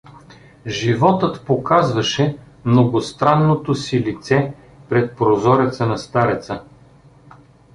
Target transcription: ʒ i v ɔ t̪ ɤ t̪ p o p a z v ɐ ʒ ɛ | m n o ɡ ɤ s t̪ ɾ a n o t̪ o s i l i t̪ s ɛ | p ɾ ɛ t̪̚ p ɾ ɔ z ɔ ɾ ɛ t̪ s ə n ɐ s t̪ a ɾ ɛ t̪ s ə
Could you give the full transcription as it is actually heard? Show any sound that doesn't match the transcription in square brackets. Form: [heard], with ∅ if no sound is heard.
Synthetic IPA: ʒ i v ɔ t̪ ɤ t̪ p o [k] a z v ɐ [ʃ] ɛ | m n o ɡ [o] s t̪ ɾ a [nː] o t̪ o s i l i t̪ s ɛ | p ɾ ɛ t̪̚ p ɾ [o] z ɔ ɾ ɛ t̪ s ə n ɐ s t̪ a ɾ ɛ t̪ s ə